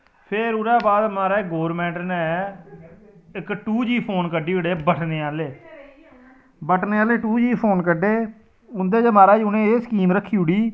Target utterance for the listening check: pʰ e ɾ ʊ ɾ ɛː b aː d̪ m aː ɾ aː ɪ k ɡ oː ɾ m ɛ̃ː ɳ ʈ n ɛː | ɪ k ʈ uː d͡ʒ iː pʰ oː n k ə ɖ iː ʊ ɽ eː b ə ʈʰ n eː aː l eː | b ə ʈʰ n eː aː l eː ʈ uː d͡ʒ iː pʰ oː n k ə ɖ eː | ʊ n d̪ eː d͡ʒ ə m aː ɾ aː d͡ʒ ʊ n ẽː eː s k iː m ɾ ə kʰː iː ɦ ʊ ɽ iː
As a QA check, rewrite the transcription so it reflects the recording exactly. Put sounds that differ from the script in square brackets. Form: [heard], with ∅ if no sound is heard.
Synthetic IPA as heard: pʰ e ɾ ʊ ɾ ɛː b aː d̪ m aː ɾ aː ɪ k ɡ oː ɾ m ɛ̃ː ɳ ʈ n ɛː | ɪ k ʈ uː d͡ʒ iː pʰ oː n k ə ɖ iː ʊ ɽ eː b ə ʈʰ n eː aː l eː | b ə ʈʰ n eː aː l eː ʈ uː d͡ʒ iː pʰ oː n k ə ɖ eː | ʊ n d̪ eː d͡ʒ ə m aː ɾ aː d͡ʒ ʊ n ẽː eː s k iː m ɾ ə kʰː iː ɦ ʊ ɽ iː